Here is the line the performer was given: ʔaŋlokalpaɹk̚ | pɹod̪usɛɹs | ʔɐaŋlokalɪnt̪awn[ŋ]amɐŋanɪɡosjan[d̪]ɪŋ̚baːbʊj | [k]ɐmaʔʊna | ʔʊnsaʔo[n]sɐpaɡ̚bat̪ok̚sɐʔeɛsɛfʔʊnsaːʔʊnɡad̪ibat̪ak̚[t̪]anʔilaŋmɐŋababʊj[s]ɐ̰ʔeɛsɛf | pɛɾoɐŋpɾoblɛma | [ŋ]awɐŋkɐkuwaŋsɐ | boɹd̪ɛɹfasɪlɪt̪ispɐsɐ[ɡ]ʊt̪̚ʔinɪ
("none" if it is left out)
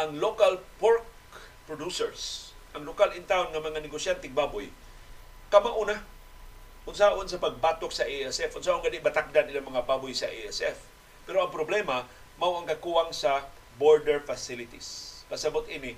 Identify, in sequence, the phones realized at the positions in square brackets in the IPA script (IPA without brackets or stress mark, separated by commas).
ŋ, t̪, k, n, d̪, s, m, b